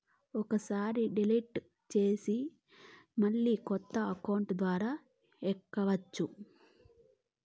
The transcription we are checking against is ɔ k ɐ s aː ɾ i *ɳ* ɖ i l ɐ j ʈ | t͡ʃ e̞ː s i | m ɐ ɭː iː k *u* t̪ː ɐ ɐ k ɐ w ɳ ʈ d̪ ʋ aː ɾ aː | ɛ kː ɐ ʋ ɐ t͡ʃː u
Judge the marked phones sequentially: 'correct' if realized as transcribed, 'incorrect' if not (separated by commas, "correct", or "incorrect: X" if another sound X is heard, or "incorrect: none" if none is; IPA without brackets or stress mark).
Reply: incorrect: none, incorrect: ɔ